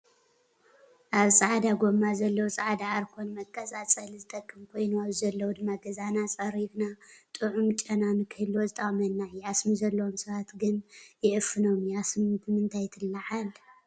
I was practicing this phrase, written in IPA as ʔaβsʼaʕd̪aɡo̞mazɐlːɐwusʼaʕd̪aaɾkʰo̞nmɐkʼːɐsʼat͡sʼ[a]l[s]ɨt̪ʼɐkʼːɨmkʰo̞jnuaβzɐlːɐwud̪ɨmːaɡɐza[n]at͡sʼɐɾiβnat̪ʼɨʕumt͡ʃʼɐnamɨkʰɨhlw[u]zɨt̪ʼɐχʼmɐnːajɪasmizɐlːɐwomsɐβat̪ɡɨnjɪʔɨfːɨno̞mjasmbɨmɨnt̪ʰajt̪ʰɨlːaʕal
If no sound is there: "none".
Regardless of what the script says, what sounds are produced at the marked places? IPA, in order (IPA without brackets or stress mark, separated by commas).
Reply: ɐ, z, n, o